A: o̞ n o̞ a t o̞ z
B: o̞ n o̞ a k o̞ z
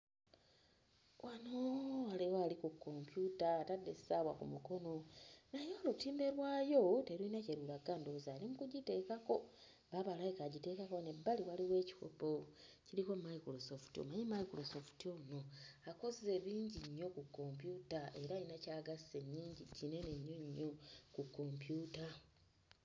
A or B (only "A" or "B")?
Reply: B